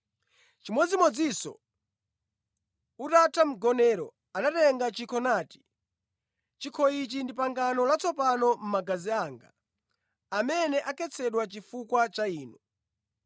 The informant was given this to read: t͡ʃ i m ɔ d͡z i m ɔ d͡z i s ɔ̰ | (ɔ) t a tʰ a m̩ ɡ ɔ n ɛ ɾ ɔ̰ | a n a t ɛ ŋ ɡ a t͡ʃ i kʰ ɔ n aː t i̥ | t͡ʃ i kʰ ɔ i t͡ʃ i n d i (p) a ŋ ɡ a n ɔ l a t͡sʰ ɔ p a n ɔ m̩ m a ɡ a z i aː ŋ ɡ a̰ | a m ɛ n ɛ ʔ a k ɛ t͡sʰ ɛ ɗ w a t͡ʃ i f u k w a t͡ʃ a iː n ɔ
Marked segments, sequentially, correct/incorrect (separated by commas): incorrect, correct